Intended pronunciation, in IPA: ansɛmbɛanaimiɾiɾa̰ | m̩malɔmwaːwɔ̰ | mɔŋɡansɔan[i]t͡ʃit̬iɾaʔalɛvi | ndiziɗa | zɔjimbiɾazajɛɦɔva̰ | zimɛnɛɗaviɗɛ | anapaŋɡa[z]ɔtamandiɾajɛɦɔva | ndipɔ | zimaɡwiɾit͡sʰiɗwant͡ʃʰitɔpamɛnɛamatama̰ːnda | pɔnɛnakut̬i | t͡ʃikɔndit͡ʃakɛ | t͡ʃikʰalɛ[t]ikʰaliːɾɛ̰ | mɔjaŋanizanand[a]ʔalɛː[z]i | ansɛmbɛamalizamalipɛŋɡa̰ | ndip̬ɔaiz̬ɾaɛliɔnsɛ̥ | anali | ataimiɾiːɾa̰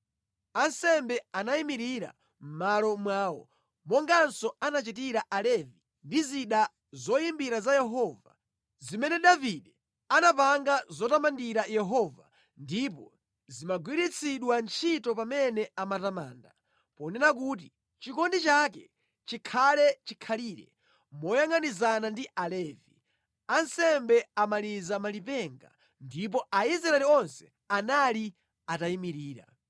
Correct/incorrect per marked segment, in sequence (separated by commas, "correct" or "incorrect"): incorrect, correct, incorrect, incorrect, incorrect